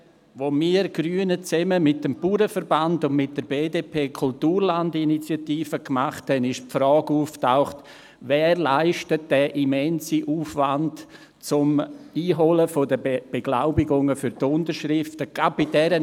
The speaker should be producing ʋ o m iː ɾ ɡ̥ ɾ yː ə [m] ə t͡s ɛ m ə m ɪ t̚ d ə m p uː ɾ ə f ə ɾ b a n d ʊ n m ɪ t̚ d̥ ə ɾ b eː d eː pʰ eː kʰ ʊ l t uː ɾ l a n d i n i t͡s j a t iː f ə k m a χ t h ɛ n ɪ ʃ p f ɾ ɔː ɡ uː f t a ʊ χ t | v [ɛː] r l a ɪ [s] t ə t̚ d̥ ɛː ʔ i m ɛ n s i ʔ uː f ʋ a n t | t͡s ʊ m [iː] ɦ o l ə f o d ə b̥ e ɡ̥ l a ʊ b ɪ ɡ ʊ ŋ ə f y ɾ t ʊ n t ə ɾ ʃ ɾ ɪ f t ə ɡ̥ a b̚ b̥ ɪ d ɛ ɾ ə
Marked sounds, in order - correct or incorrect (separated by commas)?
incorrect, correct, incorrect, correct